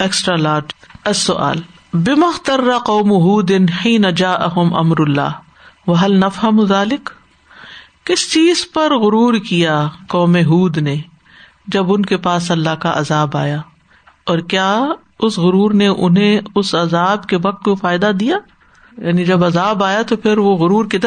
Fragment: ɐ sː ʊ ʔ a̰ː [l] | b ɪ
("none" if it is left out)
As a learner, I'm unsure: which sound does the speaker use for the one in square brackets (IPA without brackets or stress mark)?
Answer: l